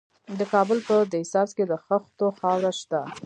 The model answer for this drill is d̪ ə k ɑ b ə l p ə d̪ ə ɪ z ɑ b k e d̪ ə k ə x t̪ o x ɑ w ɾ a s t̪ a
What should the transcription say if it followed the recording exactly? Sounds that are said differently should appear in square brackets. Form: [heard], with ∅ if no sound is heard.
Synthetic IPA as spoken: d̪ ə k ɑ b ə l p ə d̪ ə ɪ [s] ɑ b k e d̪ ə [x] ə x t̪ o x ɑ w ɾ a [ʃ] t̪ a